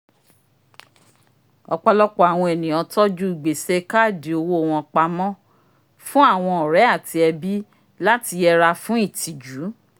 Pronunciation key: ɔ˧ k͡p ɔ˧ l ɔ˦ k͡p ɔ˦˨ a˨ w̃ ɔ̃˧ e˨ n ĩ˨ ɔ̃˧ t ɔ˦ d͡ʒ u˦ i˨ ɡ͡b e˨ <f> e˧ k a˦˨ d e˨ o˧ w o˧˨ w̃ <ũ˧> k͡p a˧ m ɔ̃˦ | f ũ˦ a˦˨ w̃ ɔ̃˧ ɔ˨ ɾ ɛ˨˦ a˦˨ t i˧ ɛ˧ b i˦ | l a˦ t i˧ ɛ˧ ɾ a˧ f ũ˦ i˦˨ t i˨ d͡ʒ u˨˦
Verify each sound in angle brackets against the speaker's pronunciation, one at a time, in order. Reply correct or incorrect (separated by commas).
incorrect, incorrect